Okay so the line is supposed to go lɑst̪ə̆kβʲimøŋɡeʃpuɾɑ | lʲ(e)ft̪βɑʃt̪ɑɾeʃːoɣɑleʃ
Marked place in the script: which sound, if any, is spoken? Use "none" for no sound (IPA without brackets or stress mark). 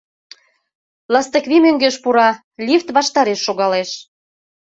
i